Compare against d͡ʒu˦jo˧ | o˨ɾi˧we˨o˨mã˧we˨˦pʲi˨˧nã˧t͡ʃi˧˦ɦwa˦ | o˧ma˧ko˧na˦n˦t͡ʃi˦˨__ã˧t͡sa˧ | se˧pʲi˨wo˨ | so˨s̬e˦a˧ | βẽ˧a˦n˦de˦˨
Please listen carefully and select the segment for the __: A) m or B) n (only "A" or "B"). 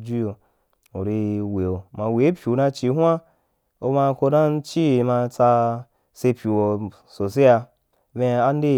A